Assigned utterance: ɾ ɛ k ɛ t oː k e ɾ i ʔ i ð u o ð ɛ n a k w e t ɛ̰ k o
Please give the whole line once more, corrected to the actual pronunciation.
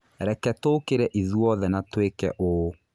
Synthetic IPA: ɾ ɛ k ɛ t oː k e ɾ ɛ ʔ i ð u ɔ ð ɛ n a t w e k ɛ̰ ʔ o